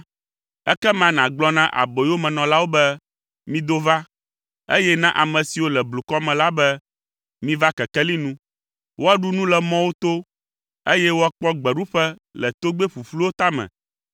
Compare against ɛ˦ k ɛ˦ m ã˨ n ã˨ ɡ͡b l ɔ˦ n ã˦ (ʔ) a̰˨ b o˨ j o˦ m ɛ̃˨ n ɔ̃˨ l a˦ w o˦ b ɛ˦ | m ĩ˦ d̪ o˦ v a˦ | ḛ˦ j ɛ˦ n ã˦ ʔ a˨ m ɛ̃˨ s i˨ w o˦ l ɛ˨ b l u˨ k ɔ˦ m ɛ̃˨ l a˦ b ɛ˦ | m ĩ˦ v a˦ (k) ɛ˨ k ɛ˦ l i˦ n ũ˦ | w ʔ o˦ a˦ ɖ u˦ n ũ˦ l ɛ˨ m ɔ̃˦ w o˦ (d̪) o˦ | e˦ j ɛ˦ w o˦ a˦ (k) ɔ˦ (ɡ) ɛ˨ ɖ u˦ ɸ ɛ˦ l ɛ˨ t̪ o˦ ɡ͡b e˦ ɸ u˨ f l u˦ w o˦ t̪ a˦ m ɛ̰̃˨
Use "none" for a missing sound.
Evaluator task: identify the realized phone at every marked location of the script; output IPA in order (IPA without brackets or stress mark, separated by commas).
ʔ, k, t̪, k͡p, ɡ͡b